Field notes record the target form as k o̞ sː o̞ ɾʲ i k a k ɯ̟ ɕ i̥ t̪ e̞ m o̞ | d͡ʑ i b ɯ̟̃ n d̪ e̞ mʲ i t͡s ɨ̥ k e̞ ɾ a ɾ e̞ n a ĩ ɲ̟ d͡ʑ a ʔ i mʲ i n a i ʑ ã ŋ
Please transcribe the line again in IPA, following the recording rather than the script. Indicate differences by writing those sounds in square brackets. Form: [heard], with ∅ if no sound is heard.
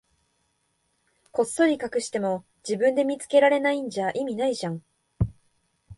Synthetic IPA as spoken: k o̞ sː o̞ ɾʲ i k a k ɯ̟ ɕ i̥ t̪ e̞ m o̞ | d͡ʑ i b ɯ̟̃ n d̪ e̞ mʲ i t͡s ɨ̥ k e̞ ɾ a ɾ e̞ n a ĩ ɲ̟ d͡ʑ a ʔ i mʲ i n a i ʑ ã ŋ